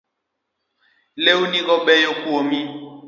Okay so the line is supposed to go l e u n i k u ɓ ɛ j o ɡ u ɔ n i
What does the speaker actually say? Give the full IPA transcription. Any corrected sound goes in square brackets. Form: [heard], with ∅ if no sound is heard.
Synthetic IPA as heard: l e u n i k [ɔ] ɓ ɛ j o [k] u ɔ [m] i